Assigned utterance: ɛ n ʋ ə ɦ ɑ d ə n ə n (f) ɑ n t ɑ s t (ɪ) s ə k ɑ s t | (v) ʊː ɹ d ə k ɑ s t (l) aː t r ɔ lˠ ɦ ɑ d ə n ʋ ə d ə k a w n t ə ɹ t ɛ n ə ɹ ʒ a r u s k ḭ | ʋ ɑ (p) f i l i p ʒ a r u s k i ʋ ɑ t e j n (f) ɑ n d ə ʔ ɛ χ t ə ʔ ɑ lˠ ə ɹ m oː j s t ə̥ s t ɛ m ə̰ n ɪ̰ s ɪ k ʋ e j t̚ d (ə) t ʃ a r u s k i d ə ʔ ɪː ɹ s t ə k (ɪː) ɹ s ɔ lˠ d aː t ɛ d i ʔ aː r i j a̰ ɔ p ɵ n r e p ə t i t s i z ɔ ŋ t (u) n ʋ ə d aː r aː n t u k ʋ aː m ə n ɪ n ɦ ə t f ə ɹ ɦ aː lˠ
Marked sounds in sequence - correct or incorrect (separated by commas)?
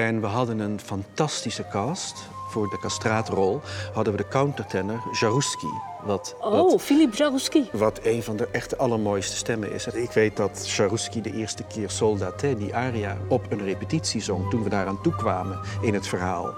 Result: correct, incorrect, incorrect, incorrect, incorrect, incorrect, incorrect, correct, correct